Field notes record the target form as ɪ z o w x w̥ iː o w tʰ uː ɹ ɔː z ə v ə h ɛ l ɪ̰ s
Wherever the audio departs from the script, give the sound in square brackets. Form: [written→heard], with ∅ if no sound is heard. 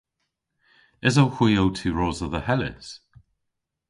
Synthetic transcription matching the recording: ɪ z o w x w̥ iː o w tʰ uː ɹ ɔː z ə [v→ð] ə h ɛ l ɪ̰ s

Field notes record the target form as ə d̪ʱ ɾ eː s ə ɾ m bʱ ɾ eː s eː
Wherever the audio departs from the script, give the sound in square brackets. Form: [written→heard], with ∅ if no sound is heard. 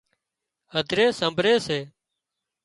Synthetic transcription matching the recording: ə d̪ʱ ɾ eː s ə [ɾ→∅] m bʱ ɾ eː s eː

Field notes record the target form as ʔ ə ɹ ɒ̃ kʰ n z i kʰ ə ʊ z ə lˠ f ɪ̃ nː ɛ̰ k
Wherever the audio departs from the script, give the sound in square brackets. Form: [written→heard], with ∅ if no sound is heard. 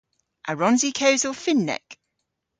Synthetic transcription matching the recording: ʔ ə ɹ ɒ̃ [kʰ→∅] n z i kʰ ə ʊ z ə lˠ f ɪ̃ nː ɛ̰ k

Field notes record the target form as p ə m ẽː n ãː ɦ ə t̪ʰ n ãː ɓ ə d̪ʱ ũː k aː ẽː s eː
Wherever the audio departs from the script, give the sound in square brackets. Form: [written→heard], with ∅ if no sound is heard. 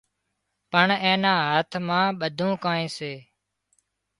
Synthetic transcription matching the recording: p ə [m→ɳ] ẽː n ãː ɦ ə t̪ʰ [n→m] ãː ɓ ə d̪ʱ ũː k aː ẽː s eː

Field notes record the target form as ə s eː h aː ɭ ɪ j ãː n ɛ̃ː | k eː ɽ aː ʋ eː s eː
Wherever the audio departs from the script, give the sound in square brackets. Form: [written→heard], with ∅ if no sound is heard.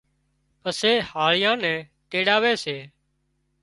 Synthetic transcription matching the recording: ə s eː h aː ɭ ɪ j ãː n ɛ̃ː | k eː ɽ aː ʋ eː s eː

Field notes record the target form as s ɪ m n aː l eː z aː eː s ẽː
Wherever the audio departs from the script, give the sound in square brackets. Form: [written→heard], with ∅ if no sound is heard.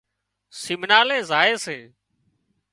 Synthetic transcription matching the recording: s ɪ m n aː l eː z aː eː s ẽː

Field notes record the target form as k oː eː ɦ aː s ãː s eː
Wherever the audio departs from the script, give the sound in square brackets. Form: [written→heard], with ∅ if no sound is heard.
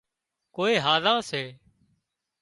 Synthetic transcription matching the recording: k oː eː ɦ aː [s→z] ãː s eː

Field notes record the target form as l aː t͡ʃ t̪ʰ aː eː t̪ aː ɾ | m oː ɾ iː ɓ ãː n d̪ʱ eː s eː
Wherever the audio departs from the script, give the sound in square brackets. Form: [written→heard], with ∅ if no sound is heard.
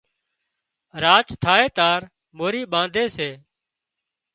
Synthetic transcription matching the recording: [l→ɾ] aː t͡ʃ t̪ʰ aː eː t̪ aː ɾ | m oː ɾ iː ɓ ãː n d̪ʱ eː s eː

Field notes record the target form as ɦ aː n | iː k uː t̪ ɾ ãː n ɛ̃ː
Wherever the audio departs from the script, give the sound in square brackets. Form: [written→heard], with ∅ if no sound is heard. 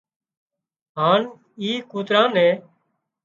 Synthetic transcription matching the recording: ɦ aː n | iː k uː t̪ ɾ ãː n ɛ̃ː

